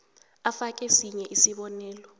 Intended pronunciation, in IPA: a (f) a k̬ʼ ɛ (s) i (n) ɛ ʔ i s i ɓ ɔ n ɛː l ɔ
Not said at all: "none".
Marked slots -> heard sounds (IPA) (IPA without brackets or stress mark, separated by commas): f, s, ɲ